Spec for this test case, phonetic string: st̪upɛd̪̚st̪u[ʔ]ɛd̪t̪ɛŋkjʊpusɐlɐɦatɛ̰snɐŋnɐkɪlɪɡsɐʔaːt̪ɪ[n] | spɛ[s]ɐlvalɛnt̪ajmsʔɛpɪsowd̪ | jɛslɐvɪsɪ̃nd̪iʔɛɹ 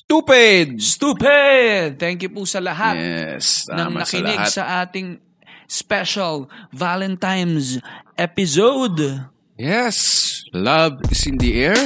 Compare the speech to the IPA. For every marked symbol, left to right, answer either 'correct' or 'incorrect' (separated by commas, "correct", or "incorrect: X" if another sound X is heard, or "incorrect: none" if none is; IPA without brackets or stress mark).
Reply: incorrect: p, incorrect: ŋ, incorrect: ʃ